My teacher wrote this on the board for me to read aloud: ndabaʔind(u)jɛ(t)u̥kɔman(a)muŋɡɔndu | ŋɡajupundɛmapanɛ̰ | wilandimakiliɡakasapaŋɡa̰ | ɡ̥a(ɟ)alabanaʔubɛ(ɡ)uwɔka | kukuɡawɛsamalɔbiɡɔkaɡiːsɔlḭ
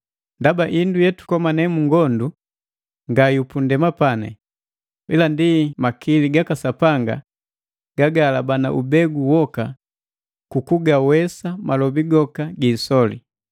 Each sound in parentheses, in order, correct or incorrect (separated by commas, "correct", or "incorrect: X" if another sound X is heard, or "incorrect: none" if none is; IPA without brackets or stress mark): correct, correct, incorrect: ɛ, incorrect: ɡ, correct